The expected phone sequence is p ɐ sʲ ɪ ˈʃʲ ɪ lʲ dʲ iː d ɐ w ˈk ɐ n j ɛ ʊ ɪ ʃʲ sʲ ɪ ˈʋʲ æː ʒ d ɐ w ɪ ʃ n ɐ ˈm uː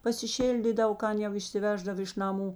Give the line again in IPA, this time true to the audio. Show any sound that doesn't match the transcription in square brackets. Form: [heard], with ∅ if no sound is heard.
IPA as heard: p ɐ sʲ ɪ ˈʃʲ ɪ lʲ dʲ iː d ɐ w ˈk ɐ n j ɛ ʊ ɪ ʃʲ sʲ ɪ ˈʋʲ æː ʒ d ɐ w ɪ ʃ n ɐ ˈm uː